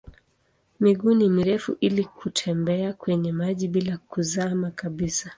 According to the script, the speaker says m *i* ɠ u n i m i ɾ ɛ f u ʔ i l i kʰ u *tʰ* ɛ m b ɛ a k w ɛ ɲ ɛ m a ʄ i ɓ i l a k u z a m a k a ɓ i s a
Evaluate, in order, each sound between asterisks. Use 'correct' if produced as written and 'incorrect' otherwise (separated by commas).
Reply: correct, correct